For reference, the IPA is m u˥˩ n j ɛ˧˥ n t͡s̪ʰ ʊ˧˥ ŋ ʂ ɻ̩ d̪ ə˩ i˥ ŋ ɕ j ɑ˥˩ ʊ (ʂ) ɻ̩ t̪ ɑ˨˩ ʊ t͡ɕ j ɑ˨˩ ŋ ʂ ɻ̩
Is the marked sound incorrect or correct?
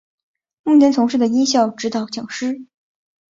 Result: incorrect